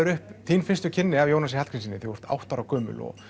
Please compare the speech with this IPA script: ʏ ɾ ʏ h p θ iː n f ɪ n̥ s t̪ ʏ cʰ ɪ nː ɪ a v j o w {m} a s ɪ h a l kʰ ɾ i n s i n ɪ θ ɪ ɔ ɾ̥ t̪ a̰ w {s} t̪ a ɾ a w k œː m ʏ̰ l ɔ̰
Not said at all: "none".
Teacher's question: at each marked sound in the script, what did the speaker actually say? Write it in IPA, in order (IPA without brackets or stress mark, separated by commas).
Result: n, h